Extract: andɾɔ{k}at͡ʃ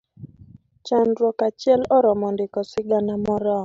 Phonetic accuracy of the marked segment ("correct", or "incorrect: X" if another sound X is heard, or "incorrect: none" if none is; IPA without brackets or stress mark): correct